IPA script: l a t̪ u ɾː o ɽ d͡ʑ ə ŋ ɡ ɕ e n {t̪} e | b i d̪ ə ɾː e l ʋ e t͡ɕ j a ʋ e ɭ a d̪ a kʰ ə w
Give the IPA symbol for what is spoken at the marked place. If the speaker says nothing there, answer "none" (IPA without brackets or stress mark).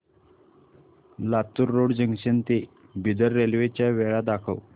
t̪